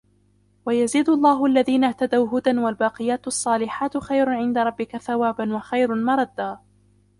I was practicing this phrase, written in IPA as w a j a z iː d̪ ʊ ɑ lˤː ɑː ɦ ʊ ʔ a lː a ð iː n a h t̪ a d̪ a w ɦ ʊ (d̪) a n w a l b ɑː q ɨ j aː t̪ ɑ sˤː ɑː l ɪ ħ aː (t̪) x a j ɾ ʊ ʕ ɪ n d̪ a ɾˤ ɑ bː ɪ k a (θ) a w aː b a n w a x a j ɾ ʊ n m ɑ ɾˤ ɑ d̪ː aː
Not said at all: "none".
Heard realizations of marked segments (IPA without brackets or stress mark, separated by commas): d̪, t̪, θ